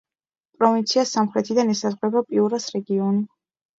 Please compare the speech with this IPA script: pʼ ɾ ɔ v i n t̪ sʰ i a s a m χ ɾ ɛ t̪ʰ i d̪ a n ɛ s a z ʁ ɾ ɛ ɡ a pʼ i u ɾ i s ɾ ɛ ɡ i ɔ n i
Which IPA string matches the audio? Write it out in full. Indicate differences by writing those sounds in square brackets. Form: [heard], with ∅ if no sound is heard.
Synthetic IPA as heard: pʼ ɾ ɔ v i n t̪ sʰ i a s a m χ ɾ ɛ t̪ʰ i d̪ a n ɛ s a z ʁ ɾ ɛ [b] a pʼ i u ɾ [a] s ɾ ɛ ɡ i ɔ n i